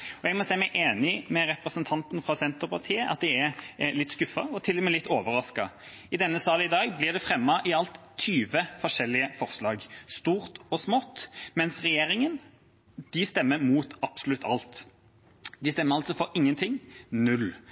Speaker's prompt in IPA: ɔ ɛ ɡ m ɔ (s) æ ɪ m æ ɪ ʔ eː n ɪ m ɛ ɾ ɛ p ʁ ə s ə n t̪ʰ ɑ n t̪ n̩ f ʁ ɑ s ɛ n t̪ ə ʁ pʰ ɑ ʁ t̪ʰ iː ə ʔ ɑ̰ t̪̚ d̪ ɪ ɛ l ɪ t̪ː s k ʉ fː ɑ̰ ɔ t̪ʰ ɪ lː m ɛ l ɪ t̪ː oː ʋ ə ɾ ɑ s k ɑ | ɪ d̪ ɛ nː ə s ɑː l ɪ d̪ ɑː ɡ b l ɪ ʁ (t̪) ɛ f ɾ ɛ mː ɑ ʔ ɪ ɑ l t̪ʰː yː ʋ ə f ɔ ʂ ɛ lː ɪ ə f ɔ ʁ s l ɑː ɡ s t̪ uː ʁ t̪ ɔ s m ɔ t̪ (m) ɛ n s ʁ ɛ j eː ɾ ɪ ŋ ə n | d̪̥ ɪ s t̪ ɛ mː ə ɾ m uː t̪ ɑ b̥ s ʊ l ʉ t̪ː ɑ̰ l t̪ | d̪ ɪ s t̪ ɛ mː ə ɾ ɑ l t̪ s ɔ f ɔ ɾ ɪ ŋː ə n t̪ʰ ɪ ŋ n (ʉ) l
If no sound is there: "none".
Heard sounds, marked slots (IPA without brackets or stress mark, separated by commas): s, d̪, m, ʉ